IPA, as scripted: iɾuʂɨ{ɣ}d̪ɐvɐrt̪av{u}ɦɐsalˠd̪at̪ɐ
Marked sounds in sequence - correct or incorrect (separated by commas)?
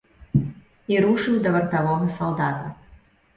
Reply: incorrect, incorrect